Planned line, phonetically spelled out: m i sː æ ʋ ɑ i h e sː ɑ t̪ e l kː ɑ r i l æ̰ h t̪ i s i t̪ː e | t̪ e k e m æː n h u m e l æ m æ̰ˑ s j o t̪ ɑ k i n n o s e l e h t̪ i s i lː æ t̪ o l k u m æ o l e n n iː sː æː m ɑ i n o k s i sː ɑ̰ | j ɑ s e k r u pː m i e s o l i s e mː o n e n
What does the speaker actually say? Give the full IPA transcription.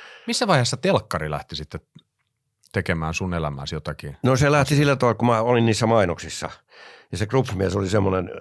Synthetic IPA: m i sː æ ʋ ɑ i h e sː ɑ t̪ e l kː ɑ r i l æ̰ h t̪ i s i t̪ː e | t̪ e k e m æː n s u n e l æ m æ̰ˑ s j o t̪ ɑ k i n n o s e l æ h t̪ i s i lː æ t̪ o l k u m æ o l i n n iː sː æ m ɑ i n o k s i sː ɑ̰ | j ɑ s e k r u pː m i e s o l i s e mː o n e n